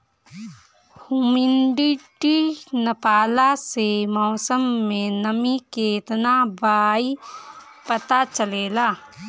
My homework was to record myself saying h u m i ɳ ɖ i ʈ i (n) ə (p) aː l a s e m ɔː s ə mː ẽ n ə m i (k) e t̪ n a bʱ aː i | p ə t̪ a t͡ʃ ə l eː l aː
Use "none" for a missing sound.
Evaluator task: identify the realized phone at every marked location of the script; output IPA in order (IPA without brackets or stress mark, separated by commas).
n, p, k